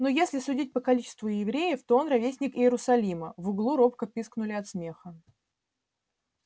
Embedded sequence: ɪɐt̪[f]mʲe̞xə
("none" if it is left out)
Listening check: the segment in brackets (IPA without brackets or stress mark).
s